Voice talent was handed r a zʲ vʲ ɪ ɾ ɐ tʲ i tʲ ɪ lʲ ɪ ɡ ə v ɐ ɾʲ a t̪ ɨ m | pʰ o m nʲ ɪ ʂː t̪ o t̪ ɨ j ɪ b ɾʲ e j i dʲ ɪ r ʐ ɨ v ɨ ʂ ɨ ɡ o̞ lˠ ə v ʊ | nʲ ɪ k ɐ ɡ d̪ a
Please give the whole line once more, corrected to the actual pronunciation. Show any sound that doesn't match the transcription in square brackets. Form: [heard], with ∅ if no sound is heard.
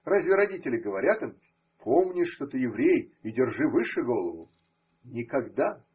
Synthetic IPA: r a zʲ vʲ ɪ ɾ ɐ [dʲ] i tʲ ɪ lʲ ɪ ɡ ə v ɐ ɾʲ a t̪ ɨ m | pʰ o m nʲ ɪ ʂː t̪ o t̪ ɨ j ɪ [v] ɾʲ e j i dʲ ɪ r ʐ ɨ v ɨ ʂ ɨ ɡ o̞ lˠ ə v ʊ | nʲ ɪ k ɐ ɡ d̪ a